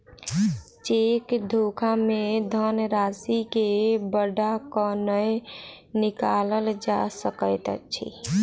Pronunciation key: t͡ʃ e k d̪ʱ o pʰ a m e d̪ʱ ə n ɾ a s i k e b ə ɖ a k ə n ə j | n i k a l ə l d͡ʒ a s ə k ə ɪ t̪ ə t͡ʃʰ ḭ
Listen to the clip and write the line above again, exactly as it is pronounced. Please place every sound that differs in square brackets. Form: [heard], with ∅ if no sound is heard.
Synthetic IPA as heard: t͡ʃ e k d̪ʱ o [kʰ] a m e d̪ʱ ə n ɾ a s i k e b ə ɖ a k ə n ə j | n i k a l ə l d͡ʒ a s ə k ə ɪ t̪ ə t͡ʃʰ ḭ